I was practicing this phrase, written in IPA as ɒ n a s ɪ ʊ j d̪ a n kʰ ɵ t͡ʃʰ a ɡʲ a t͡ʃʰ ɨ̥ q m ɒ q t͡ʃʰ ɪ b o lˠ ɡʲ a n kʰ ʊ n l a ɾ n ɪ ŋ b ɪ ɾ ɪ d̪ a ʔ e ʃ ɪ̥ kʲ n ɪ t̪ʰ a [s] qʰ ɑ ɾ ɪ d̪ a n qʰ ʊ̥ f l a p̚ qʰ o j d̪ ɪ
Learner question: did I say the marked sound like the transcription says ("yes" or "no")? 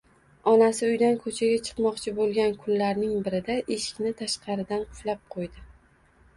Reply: no